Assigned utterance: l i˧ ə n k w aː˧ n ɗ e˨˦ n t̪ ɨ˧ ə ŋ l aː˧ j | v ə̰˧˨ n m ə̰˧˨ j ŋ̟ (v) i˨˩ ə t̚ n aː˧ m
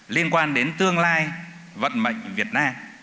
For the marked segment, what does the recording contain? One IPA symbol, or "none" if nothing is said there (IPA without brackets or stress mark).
v